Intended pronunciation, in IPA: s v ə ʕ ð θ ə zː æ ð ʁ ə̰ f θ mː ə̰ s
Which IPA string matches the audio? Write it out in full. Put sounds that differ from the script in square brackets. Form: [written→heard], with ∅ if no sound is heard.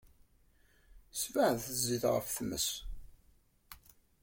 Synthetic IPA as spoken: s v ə ʕ ð θ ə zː [æ→i] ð ʁ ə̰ f θ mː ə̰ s